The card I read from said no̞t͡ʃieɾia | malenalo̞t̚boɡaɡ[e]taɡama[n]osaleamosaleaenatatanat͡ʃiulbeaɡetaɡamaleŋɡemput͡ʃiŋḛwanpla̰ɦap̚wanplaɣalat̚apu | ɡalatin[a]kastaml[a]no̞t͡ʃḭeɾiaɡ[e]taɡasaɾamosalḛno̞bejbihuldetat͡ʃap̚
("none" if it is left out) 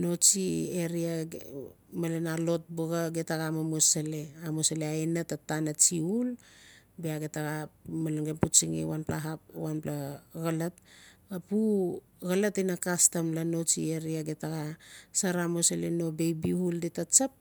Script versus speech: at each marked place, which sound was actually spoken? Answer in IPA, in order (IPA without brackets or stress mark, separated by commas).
e, m, a, a, e